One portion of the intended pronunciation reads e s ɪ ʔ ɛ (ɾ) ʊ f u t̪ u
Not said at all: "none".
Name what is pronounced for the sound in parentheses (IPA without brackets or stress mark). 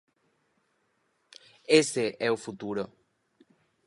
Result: none